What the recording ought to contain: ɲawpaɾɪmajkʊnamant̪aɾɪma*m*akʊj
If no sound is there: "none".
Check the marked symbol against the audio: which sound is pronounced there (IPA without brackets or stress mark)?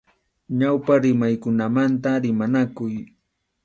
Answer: n